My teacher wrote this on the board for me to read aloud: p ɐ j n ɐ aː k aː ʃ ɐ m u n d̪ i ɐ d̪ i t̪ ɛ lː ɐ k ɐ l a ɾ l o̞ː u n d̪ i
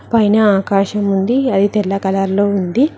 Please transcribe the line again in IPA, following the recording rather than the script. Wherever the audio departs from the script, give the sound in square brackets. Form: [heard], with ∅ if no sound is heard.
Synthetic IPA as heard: p ɐ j n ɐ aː k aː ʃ ɐ m u n d̪ i ɐ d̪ i t̪ ɛ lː ɐ k ɐ l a ɾ l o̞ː u n d̪ i